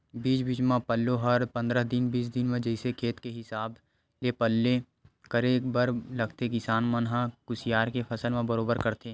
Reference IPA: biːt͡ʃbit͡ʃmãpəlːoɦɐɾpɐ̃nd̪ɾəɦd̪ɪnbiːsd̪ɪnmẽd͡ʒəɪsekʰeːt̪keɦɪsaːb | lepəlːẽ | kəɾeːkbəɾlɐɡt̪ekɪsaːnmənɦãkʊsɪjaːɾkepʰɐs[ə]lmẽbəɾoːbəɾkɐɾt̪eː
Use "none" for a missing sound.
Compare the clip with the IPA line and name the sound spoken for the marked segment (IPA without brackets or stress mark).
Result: ə